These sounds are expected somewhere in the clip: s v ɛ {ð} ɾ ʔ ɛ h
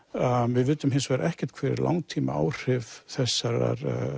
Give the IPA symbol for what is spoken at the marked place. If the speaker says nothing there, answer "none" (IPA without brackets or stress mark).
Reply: none